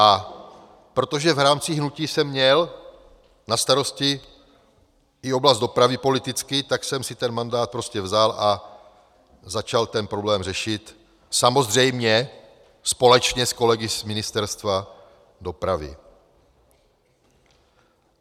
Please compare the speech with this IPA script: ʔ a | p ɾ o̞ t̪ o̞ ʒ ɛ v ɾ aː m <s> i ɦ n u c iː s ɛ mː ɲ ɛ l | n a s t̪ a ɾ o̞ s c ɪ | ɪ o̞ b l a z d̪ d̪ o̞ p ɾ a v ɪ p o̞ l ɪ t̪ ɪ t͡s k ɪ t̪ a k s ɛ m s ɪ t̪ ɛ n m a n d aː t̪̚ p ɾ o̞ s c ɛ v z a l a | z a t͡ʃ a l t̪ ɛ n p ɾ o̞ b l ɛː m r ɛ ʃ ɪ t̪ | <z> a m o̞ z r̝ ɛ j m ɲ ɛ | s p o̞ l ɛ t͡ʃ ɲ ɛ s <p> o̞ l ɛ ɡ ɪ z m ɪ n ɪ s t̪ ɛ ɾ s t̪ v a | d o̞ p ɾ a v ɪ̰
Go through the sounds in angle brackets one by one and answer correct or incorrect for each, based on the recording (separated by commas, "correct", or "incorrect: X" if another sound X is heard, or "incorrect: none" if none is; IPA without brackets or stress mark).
incorrect: t͡s, incorrect: s, incorrect: k